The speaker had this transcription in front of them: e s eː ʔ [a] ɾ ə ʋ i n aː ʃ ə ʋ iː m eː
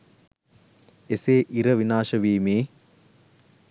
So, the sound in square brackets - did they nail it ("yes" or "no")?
no